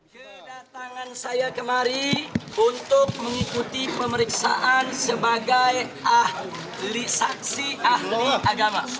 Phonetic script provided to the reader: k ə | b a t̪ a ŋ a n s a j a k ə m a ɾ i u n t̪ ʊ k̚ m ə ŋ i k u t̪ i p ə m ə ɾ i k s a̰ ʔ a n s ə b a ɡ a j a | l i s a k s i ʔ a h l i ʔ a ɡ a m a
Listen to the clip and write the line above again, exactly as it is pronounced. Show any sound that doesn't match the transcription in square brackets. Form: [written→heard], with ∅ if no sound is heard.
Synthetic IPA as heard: k ə | [b→d] a t̪ a ŋ a n s a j a k ə m a ɾ i u n t̪ ʊ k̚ m ə ŋ i k u t̪ i p ə m ə ɾ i k s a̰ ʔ a n s ə b a ɡ a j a | l i s a k s i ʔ a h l i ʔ a ɡ a m a